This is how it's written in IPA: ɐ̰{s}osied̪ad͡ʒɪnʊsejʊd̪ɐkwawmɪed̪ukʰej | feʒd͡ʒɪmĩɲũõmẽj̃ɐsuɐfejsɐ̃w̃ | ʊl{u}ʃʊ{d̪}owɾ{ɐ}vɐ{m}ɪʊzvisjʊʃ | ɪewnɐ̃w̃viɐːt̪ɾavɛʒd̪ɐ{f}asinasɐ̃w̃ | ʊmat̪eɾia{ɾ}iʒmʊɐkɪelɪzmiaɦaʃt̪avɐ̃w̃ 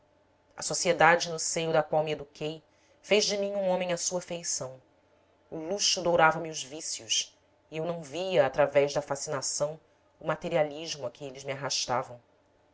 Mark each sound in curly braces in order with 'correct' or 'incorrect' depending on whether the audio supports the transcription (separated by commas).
correct, correct, correct, incorrect, correct, correct, incorrect